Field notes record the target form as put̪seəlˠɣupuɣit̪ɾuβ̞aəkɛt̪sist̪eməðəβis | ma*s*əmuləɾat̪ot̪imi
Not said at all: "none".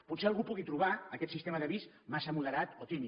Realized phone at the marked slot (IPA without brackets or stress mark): s